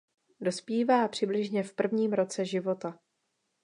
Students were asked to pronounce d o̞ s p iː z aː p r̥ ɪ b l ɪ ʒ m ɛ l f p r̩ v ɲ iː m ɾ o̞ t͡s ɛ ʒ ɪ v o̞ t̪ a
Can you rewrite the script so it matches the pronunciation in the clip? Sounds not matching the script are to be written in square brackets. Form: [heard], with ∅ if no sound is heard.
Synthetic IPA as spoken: d o̞ s p iː [v] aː p r̥ ɪ b l ɪ ʒ [ɲ] ɛ [∅] f p r̩ v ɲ iː m ɾ o̞ t͡s ɛ ʒ ɪ v o̞ t̪ a